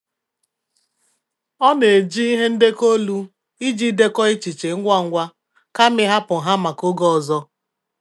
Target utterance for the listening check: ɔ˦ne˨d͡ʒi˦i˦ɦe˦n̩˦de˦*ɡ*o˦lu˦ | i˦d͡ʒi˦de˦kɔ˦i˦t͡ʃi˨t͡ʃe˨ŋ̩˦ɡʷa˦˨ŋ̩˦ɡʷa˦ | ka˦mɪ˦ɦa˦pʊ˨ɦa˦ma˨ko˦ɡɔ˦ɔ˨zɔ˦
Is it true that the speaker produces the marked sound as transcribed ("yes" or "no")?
no